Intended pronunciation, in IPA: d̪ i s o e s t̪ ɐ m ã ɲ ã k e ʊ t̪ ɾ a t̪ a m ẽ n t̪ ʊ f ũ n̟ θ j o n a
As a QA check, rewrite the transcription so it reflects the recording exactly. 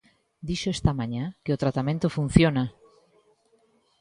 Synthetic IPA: d̪ i ʃ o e s t̪ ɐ m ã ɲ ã k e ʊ t̪ ɾ a t̪ a m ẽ n t̪ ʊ f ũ n̟ θ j o n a

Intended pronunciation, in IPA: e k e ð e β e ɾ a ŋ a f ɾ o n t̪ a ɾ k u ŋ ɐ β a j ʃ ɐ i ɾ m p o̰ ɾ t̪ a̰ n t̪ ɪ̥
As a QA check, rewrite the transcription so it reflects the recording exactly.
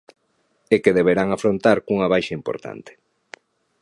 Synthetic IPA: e k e ð e β e ɾ a ŋ a f ɾ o n t̪ a ɾ k u ŋ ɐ β a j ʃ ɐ i m p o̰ ɾ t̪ a̰ n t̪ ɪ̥

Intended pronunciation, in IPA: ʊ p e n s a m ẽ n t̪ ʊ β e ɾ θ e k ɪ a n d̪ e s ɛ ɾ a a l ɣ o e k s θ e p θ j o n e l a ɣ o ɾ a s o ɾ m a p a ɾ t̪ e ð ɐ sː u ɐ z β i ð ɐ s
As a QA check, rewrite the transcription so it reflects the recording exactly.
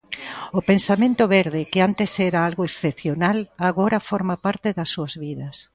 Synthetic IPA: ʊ p e n s a m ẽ n t̪ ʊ β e ɾ ð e k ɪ a n t̪ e s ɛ ɾ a a l ɣ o e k s θ e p θ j o n a l a ɣ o ɾ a f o ɾ m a p a ɾ t̪ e ð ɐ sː u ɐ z β i ð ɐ s

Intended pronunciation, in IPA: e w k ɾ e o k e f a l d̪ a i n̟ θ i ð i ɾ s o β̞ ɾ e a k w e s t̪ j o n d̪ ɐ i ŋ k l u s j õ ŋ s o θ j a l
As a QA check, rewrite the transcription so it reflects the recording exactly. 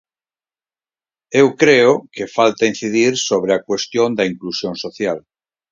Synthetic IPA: e w k ɾ e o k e f a l t̪ a i n̟ θ i ð i ɾ s o β̞ ɾ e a k w e s t̪ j o n d̪ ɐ i ŋ k l u s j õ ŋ s o θ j a l

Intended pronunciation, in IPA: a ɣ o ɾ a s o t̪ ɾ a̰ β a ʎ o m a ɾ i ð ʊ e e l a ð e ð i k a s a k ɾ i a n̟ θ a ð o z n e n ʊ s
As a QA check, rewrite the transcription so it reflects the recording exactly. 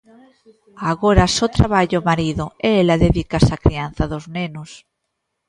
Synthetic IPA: a ɣ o ɾ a s o t̪ ɾ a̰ β a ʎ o m a ɾ i ð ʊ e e l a ð e ð i k a s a k ɾ i a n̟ θ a ð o z n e n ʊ s

